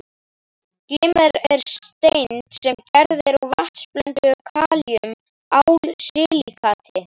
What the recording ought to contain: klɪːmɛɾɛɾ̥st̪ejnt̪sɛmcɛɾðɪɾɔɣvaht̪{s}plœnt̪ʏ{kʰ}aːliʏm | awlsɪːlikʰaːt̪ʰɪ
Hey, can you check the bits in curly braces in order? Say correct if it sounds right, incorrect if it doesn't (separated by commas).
correct, correct